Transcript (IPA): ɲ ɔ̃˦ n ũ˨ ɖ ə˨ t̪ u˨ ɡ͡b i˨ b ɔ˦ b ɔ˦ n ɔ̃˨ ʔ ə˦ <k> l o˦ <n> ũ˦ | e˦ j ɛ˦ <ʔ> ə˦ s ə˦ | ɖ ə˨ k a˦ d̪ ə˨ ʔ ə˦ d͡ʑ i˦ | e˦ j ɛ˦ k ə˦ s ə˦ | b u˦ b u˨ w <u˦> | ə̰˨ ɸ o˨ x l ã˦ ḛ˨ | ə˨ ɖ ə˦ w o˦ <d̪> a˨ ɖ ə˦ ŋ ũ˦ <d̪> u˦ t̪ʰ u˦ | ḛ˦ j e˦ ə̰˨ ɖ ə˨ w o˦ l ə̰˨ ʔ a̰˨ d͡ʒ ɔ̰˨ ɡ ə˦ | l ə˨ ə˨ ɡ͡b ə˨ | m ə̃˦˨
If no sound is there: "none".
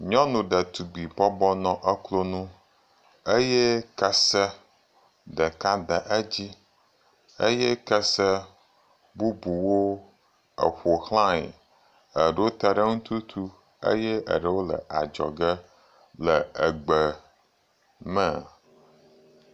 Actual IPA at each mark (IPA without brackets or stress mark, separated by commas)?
k, n, k, o˦, t̪, t̪